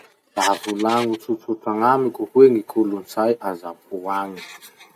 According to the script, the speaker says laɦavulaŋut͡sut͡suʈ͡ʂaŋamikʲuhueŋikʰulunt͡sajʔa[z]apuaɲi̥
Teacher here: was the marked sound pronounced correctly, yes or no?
yes